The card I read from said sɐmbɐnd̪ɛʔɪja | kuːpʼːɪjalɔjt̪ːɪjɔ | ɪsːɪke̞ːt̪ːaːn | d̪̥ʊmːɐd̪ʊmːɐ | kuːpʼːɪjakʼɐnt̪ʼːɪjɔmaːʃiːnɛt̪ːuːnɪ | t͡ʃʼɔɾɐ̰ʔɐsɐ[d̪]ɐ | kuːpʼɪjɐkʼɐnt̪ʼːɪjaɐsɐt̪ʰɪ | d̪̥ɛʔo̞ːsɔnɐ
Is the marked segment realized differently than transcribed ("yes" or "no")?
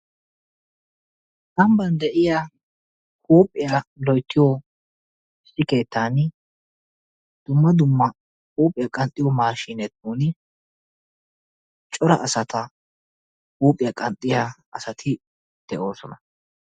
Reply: yes